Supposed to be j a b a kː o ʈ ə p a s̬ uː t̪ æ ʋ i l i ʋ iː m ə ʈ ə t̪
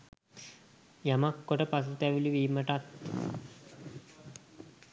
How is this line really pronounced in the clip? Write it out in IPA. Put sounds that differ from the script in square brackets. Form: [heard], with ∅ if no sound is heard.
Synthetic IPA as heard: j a [m] a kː o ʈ ə p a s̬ [u] t̪ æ ʋ i l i ʋ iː m ə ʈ [a] t̪